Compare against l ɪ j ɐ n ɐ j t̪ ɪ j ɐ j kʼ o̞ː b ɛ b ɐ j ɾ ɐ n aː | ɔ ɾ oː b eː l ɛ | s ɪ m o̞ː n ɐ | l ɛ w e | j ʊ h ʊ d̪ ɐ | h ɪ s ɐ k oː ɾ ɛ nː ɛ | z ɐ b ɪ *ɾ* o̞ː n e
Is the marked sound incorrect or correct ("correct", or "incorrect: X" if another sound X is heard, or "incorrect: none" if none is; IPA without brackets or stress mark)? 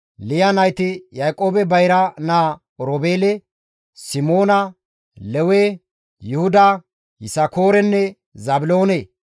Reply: incorrect: l